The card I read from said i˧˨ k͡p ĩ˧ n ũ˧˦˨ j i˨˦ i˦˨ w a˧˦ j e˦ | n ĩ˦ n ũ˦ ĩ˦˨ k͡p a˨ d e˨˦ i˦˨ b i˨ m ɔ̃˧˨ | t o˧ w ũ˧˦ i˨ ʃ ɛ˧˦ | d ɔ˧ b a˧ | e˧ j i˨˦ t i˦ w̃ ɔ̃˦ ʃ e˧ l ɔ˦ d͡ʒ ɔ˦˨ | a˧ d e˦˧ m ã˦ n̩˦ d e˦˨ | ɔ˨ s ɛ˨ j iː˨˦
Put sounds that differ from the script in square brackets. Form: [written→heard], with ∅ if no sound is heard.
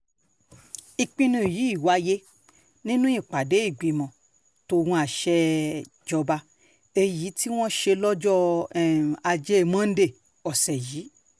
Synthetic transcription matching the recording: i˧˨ k͡p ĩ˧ n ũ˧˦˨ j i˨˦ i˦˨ w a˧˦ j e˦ | n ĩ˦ n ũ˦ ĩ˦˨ k͡p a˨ d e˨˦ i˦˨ [b→ɡ͡b] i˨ m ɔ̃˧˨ | t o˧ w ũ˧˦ [i˨→a˨] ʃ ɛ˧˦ | [d→d͡ʒ] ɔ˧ b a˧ | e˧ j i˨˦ t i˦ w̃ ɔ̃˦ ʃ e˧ l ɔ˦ d͡ʒ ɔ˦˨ | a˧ [d→d͡ʒ] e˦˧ m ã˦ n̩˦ d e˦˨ | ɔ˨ s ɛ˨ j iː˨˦